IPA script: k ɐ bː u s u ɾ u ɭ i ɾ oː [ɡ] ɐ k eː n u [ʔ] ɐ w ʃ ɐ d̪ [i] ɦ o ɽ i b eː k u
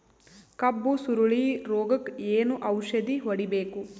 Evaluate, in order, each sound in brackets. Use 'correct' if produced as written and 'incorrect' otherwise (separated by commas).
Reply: correct, correct, correct